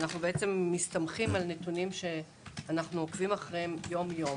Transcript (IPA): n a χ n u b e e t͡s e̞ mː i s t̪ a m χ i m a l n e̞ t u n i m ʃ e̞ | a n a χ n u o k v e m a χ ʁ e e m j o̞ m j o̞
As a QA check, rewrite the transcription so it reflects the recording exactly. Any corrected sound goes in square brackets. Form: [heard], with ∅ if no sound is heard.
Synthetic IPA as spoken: n a χ n u b e e t͡s e̞ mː i s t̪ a m χ i m a l n e̞ t u n i m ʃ e̞ | a n a χ n u o k v [i] m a χ ʁ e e m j o̞ m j o̞